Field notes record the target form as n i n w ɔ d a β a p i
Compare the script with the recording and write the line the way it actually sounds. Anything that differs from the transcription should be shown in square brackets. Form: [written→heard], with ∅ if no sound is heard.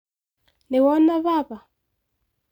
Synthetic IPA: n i [n→∅] w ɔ [d→n] a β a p [i→a]